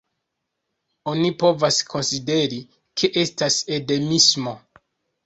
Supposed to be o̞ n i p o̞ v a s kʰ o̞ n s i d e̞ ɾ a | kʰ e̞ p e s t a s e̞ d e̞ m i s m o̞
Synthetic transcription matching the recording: o̞ n i p o̞ v a s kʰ o̞ n s i d e̞ ɾ i | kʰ e̞ ʔ e s t a s e̞ d e̞ m i s m o̞